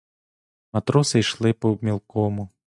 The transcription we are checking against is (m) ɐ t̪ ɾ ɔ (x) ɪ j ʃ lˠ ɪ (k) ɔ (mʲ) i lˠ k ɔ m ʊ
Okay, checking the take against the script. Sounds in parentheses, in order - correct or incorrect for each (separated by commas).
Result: correct, incorrect, incorrect, correct